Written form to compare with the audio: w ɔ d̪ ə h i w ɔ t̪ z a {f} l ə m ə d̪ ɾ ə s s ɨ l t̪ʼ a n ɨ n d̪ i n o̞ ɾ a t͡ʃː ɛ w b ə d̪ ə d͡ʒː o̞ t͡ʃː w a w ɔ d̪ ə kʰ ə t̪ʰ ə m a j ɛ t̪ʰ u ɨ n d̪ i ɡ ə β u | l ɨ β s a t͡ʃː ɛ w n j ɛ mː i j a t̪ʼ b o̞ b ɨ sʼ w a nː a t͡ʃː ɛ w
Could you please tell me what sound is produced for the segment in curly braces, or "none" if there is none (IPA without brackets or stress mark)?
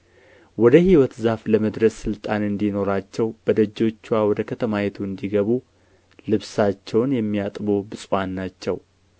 f